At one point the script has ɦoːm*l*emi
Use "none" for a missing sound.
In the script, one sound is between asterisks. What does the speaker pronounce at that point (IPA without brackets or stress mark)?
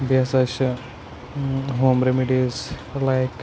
ɾ